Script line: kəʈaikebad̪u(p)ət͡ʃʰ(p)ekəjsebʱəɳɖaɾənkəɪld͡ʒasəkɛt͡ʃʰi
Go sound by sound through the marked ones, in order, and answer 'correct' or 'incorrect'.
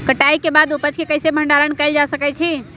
correct, incorrect: k

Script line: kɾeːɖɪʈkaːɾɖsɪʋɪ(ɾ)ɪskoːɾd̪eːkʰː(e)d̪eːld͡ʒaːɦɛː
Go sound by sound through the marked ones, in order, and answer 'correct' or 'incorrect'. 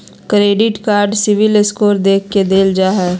incorrect: l, correct

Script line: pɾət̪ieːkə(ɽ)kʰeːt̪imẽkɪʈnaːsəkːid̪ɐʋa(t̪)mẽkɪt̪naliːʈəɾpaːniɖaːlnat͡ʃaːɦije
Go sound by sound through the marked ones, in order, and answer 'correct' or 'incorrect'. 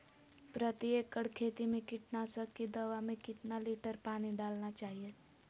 correct, incorrect: none

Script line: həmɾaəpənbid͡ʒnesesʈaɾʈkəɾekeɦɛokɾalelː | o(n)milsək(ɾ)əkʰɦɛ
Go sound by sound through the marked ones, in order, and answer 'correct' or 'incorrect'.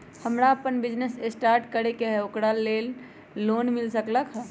correct, incorrect: l

